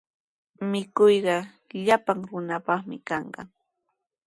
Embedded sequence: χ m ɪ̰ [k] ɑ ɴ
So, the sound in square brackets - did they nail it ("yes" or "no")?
yes